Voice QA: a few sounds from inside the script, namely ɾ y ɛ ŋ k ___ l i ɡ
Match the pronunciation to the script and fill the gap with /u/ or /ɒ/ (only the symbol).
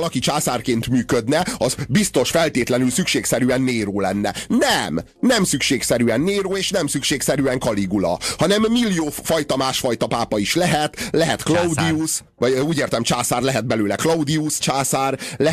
ɒ